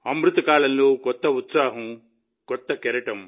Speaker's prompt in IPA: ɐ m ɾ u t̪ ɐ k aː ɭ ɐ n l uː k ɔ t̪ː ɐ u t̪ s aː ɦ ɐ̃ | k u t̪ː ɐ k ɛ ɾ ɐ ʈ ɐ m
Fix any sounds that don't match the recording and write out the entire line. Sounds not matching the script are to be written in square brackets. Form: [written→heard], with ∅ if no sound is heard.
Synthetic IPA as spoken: ɐ m ɾ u t̪ ɐ k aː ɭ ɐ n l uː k ɔ t̪ː ɐ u t̪ s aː ɦ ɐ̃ | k [u→ɔ] t̪ː ɐ k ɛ ɾ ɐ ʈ ɐ m